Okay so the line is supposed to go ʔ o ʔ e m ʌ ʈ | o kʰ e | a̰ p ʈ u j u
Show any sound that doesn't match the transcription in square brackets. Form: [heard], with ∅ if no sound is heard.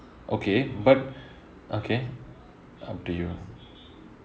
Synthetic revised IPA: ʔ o [k] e [b] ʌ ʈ | o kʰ e | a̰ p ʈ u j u